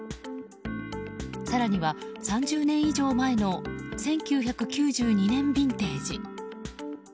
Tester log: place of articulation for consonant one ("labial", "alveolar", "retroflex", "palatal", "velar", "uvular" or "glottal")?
alveolar